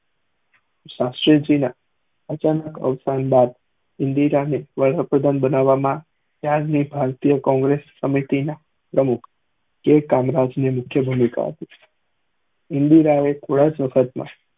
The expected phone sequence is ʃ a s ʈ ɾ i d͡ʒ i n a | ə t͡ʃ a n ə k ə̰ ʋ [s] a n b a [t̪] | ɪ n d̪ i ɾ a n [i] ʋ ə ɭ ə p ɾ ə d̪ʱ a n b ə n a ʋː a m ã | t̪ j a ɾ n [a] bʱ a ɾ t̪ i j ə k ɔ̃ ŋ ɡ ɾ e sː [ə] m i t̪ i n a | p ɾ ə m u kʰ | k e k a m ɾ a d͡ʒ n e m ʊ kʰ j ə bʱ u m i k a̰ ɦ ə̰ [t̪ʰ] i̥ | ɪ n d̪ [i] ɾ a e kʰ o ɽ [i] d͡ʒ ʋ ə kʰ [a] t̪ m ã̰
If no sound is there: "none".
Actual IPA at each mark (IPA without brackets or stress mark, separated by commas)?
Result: s, d̪, e, i, ə, t̪, i, a, ə